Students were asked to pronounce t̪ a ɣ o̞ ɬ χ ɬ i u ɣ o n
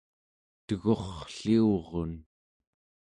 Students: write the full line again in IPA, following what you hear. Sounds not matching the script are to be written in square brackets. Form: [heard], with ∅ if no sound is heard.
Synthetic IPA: t̪ [ə] ɣ o̞ [∅] χ ɬ i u [ʁ] o n

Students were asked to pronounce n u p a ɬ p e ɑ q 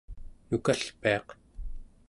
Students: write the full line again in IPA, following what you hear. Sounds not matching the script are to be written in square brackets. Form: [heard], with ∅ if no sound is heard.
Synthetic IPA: n u [k] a ɬ p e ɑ q

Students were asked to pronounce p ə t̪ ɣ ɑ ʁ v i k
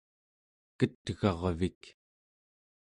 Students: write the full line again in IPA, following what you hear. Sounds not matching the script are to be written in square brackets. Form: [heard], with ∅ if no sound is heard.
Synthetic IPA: [k] ə t̪ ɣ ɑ ʁ v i k

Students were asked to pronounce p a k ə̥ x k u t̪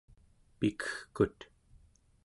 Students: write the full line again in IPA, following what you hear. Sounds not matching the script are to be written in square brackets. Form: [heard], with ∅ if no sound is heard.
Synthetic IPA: p [i] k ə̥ x k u t̪

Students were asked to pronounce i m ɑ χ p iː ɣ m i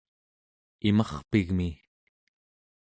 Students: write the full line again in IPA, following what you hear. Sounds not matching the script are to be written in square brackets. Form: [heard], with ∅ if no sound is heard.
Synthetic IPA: i m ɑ χ p [i] ɣ m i

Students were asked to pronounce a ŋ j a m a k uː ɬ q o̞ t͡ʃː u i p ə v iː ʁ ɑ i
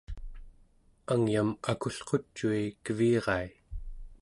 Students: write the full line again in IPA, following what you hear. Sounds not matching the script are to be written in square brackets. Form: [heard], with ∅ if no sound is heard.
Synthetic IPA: a ŋ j a m a k [u] ɬ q o̞ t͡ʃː u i [k] ə v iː ʁ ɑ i

